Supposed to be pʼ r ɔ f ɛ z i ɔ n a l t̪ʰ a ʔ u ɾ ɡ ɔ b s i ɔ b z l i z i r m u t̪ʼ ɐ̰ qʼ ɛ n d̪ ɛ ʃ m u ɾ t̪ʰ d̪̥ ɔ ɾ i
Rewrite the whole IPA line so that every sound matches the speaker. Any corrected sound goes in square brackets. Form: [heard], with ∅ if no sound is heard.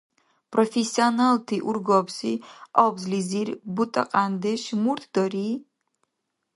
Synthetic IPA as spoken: pʼ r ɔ f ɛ [s] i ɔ n a l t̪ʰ [i] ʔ u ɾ ɡ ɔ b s i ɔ b z l i z i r [b] u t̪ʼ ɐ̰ qʼ [a] n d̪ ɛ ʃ m u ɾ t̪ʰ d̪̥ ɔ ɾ i

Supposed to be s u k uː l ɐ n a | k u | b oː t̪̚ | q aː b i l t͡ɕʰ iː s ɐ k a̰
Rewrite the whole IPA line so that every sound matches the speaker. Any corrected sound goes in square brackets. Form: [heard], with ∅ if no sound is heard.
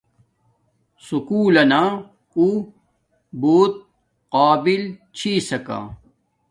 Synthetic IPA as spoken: s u k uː l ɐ n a | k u | b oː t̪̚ | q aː b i l t͡ɕʰ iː s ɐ k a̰

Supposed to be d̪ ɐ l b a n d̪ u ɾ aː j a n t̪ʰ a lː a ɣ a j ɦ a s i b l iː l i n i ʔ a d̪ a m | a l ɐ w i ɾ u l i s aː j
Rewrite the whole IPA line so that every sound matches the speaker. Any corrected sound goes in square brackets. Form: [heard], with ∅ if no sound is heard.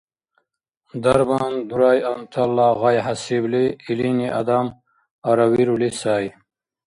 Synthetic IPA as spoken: d̪ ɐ [ɾ] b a n d̪ u ɾ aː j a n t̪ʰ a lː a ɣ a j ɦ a s i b l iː l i n i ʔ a d̪ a m | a [ɾ] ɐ w i ɾ u l i s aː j

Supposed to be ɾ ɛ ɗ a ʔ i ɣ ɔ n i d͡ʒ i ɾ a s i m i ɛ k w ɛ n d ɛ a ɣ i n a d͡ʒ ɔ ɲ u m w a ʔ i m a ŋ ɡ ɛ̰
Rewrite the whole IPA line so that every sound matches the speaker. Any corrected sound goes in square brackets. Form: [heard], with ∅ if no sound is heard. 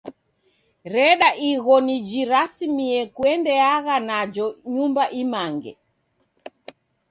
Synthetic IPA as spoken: ɾ ɛ ɗ a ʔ i ɣ ɔ n i d͡ʒ i ɾ a s i m i ɛ k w ɛ n d ɛ a ɣ [a] n a d͡ʒ ɔ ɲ u m [b] a ʔ i m a ŋ ɡ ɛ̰

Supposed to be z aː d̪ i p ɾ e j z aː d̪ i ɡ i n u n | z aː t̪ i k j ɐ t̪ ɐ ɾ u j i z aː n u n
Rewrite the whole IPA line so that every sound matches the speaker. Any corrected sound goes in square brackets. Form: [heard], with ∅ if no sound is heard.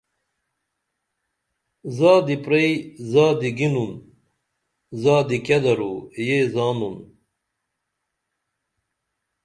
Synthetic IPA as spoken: z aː d̪ i p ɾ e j z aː d̪ i ɡ i n u n | z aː [d̪] i k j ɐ [d̪] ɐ ɾ u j [e] z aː n u n

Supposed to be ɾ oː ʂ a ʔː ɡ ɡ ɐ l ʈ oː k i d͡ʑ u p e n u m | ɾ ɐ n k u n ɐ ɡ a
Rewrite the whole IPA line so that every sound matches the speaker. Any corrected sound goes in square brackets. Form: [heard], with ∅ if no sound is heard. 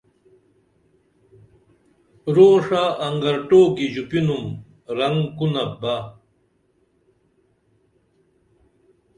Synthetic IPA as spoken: ɾ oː ʂ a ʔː [ŋ] ɡ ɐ [ɾ] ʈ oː k i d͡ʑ u p [i] n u m | ɾ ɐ [ŋ] k u n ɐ [b] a

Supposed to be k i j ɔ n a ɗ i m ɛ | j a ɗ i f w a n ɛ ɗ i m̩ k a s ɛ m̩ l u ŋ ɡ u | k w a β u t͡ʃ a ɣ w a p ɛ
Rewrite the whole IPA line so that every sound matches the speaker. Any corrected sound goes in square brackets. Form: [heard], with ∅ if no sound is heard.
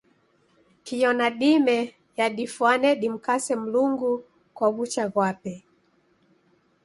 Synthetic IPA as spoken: k i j ɔ n a ɗ i m ɛ | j a ɗ i f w a n ɛ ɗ i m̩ k a s ɛ m̩ l u ŋ ɡ u | k w a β u t͡ʃ a ɣ w a p ɛ

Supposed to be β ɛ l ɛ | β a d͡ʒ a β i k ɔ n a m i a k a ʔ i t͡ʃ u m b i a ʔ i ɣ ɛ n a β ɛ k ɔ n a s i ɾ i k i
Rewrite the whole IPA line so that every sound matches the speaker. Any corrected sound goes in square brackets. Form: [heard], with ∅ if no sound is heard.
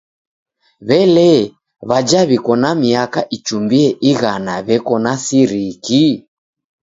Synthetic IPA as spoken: β ɛ l ɛ | β a d͡ʒ a β i k ɔ n a m i a k a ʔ i t͡ʃ u m b i [ɛ] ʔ i ɣ [a] n a β ɛ k ɔ n a s i ɾ i k i

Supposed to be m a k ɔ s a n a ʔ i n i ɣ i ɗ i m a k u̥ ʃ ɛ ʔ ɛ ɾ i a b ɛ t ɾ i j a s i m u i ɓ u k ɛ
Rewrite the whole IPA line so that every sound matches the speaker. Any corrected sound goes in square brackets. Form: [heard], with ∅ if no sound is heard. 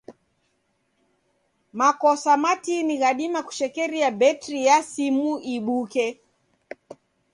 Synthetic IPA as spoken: m a k ɔ s a [m] a [t] i n i ɣ [a] ɗ i m a k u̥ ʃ ɛ [k] ɛ ɾ i a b ɛ t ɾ i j a s i m u i ɓ u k ɛ

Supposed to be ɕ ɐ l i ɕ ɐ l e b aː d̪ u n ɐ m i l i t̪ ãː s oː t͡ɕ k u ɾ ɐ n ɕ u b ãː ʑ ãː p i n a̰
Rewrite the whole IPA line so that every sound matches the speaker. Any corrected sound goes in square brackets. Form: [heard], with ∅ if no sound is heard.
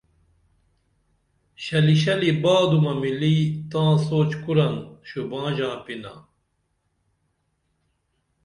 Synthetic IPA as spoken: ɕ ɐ l i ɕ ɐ l [i] b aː d̪ u [m] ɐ m i l i t̪ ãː s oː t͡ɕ k u ɾ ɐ n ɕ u b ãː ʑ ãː p i n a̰

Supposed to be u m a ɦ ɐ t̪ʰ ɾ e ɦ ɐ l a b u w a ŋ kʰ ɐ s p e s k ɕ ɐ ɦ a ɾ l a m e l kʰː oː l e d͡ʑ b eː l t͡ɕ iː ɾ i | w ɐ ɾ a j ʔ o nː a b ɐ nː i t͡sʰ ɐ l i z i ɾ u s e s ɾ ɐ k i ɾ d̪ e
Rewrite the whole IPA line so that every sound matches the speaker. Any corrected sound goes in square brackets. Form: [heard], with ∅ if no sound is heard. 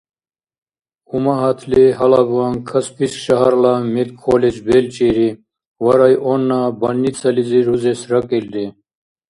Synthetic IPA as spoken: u m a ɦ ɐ t̪ʰ [l] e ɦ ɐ l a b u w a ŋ kʰ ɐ s p [i] s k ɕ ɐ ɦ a ɾ l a m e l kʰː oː l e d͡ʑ b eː l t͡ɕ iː ɾ i | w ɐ ɾ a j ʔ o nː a b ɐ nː i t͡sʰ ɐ l i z i ɾ u [z] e s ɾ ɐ k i [l] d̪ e

